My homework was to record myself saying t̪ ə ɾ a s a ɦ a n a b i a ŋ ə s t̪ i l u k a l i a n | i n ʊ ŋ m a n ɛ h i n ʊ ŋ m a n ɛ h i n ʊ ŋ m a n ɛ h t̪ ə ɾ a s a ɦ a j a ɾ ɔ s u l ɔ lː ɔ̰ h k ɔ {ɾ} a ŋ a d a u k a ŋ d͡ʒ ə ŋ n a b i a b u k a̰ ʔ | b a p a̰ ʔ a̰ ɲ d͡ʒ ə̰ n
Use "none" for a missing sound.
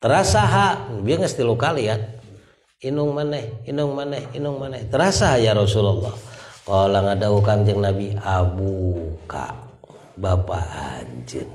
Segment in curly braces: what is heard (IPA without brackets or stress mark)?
l